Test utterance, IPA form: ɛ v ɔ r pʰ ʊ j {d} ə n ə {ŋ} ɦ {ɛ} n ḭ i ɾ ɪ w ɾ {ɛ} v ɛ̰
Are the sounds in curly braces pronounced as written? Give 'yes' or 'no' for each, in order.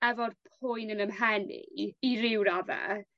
no, no, yes, no

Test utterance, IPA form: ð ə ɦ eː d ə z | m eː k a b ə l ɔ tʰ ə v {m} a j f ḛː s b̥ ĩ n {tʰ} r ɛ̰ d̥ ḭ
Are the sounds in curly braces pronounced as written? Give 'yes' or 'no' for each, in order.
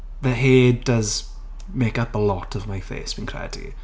yes, no

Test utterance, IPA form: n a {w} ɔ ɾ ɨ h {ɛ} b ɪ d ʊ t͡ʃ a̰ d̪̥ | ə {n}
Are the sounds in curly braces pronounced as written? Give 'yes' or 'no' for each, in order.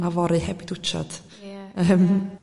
no, yes, no

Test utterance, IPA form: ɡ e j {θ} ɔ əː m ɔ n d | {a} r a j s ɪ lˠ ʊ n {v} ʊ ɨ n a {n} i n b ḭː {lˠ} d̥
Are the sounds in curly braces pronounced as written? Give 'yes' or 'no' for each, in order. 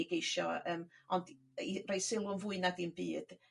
no, no, yes, no, no

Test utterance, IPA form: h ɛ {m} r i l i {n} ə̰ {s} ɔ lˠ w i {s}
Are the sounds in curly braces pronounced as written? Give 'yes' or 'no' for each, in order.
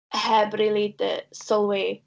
no, no, yes, no

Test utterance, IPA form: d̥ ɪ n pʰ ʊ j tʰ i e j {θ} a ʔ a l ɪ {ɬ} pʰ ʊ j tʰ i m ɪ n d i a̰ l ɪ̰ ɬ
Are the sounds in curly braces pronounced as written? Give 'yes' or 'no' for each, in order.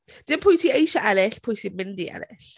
no, yes

